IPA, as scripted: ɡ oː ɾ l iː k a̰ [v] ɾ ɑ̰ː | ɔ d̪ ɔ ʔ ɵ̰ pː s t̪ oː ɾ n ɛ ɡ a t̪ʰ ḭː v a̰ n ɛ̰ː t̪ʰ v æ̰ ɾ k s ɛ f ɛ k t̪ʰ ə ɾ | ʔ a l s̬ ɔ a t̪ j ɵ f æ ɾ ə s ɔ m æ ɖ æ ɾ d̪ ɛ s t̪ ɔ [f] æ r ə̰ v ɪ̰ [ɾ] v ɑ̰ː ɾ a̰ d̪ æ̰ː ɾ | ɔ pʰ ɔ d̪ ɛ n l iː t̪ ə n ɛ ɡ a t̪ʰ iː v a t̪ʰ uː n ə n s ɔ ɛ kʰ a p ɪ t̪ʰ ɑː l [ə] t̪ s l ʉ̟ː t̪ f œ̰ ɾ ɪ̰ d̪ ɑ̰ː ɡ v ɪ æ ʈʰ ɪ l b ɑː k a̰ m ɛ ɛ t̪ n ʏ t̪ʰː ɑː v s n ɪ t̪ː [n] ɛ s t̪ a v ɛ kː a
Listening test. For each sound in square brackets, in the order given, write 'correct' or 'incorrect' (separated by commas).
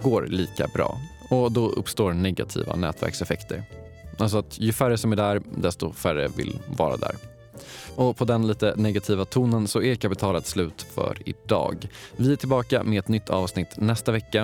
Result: incorrect, correct, incorrect, incorrect, correct